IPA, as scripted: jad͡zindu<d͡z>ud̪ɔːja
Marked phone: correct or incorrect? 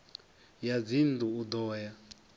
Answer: incorrect